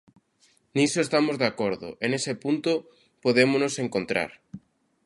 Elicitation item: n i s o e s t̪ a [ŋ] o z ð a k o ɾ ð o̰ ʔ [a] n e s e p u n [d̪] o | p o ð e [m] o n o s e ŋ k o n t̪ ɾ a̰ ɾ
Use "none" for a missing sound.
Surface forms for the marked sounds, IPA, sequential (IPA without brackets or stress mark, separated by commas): m, e, t̪, m